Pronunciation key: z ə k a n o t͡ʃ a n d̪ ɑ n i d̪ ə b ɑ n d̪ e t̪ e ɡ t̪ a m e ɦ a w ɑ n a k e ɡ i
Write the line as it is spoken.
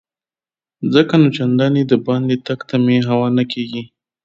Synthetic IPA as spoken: z ə k a n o t͡ʃ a n d̪ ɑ n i d̪ ə b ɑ n d̪ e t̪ a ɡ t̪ a m e ɦ a w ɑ n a k e ɡ i